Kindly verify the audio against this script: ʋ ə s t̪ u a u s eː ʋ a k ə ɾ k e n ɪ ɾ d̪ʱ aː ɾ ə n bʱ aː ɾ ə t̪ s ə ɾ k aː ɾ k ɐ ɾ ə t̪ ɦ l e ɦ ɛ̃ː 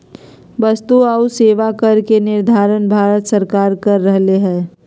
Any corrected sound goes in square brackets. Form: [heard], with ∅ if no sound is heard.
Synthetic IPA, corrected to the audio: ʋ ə s t̪ u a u s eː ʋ a k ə ɾ k e n ɪ ɾ d̪ʱ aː ɾ ə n bʱ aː ɾ ə t̪ s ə ɾ k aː ɾ k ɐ [ɾː] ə [∅] ɦ l e ɦ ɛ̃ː